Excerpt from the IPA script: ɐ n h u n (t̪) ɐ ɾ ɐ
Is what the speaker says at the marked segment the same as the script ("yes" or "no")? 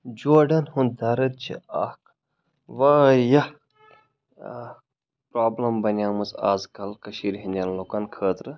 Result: no